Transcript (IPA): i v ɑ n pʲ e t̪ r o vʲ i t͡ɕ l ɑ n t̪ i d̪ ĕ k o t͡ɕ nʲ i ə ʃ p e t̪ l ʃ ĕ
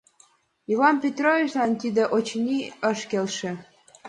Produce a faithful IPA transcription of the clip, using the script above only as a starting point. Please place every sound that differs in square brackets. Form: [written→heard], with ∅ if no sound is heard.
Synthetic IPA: i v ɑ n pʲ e t̪ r o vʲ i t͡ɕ l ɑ n t̪ i d̪ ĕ [k→ʔ] o t͡ɕ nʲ i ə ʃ [p→k] e [t̪→∅] l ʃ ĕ